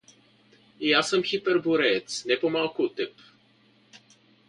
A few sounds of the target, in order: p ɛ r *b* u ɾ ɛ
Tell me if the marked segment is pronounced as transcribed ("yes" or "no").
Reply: yes